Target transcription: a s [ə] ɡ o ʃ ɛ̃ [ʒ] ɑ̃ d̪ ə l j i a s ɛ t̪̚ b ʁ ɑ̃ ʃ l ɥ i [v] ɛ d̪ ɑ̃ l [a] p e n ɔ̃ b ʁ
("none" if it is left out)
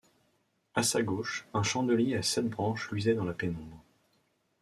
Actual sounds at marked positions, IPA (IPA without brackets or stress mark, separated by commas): a, ʃ, z, a